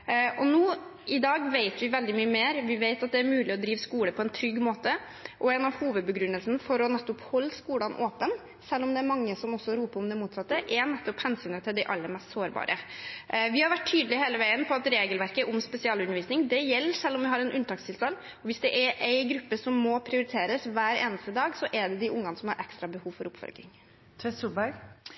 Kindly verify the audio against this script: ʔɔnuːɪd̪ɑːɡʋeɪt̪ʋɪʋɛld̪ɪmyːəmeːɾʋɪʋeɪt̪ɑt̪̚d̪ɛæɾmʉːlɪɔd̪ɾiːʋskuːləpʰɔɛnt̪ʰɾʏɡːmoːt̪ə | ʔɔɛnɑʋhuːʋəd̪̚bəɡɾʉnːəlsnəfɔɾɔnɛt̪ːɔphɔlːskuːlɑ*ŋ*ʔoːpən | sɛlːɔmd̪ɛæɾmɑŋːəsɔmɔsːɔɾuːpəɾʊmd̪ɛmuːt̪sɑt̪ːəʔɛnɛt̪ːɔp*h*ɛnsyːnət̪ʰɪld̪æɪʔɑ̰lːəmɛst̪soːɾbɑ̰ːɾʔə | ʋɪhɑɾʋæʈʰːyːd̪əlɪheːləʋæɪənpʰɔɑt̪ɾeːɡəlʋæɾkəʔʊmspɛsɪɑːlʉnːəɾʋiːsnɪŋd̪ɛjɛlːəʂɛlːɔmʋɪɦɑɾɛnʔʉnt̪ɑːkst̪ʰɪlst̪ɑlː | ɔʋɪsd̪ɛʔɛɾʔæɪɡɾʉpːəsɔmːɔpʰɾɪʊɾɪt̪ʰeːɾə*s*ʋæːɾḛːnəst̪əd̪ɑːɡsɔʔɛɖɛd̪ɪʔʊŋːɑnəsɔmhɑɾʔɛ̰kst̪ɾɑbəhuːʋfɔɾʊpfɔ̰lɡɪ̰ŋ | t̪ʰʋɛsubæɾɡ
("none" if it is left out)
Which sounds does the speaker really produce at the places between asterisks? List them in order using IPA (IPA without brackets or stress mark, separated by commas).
n, h, s